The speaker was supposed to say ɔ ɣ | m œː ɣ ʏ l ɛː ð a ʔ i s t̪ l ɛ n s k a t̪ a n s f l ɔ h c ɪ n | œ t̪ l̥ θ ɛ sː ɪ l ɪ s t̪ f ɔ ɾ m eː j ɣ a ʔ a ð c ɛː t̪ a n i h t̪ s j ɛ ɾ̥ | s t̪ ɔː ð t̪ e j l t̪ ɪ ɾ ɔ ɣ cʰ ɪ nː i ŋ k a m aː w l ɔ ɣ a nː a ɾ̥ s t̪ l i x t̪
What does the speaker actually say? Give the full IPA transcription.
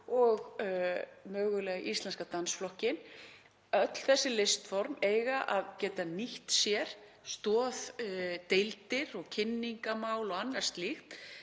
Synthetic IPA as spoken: ɔ ɣ | m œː ɣ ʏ l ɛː ɣ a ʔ i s t̪ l ɛ n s k a t̪ a n s f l ɔ h c ɪ n | œ t̪ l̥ θ ɛ sː ɪ l ɪ s t̪ f ɔ ɾ m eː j ɣ a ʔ a ð c ɛː t̪ a n i h t̪ s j ɛ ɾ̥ | s t̪ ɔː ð t̪ e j l t̪ ɪ ɾ ɔ ɣ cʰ ɪ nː i ŋ k a m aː w l ɔ ɣ a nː a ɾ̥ s t̪ l i x t̪